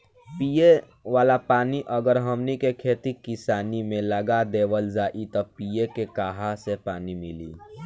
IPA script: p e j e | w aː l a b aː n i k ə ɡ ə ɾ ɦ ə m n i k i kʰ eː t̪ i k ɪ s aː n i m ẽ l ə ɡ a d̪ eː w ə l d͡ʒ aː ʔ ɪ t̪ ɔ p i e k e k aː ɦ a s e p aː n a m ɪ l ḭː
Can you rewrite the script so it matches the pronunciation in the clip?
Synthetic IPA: p i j e | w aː l a p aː n i ʔ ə ɡ ə ɾ ɦ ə m n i k e kʰ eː t̪ i k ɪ s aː n i m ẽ l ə ɡ a d̪ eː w ə l d͡ʒ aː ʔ i t̪ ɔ p i e k e k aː ɦ a s e p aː n i m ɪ l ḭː

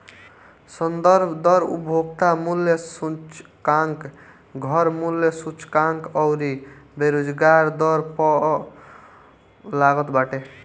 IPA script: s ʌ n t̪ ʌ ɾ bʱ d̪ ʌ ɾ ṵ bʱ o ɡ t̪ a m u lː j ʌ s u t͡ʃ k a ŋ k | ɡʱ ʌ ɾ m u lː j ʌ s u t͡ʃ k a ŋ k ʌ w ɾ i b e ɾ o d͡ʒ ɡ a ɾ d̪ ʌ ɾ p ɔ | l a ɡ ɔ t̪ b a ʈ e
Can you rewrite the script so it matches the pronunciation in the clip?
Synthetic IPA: s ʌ n d̪ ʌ ɾ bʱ d̪ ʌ ɾ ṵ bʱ o ɡ t̪ a m u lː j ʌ s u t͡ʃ k a ŋ k | ɡʱ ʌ ɾ m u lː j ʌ s u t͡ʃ k a ŋ k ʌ w ɾ i b e ɾ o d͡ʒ ɡ a ɾ d̪ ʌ ɾ p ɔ | l a ɡ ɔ t̪ b a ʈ e

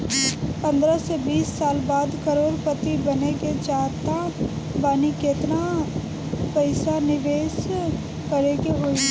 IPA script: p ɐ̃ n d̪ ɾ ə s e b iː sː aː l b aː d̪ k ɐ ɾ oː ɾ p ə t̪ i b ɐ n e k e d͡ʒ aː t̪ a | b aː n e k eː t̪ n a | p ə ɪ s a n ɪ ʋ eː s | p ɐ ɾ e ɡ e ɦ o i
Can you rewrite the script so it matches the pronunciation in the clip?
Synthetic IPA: p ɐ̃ n d̪ ɾ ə s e b iː sː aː l b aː d̪ k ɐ ɾ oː ɾ p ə t̪ i b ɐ n e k e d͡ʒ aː t̪ a | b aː n i k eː t̪ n a | p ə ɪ s a n ɪ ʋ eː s | k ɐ ɾ e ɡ e ɦ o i

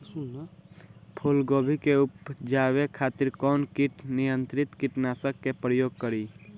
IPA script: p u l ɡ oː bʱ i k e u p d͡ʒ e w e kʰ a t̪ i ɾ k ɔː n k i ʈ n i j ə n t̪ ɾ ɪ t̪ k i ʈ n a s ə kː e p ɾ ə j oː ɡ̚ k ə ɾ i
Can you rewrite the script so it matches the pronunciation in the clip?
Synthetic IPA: pʰ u l ɡ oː bʱ i k e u p d͡ʒ a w e kʰ a t̪ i ɾ k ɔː n k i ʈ n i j ə n t̪ ɾ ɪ t̪ k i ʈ n a s ə kː e p ɾ ə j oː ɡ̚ k ə ɾ i

